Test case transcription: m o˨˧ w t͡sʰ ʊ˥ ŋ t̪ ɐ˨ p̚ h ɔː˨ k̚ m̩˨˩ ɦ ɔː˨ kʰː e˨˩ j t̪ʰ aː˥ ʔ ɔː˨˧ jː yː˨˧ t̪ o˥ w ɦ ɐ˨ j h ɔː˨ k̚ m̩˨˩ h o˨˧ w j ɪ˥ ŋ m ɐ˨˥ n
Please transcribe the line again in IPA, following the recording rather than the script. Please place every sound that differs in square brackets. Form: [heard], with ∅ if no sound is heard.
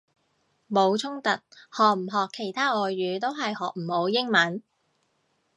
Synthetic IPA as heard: m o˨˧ w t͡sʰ ʊ˥ ŋ t̪ ɐ˨ [t̚] h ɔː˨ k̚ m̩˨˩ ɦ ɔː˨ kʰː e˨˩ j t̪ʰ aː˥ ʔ ɔː˨˧ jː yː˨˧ t̪ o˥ w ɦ ɐ˨ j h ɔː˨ k̚ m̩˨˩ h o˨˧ w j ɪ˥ ŋ m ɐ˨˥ n